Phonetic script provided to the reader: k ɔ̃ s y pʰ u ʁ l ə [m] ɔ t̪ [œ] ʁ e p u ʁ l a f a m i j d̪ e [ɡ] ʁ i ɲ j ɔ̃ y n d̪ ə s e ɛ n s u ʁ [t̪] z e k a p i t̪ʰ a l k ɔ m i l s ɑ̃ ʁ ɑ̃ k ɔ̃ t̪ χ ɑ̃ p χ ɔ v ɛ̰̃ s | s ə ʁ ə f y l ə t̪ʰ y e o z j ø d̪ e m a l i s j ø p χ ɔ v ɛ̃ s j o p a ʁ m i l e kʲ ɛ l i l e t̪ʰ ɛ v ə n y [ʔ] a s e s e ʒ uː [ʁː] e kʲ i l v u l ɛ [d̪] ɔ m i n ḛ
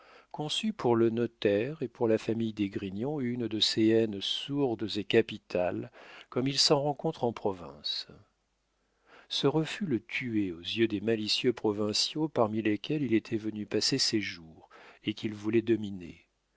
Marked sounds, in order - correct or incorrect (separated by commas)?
incorrect, incorrect, correct, incorrect, incorrect, incorrect, correct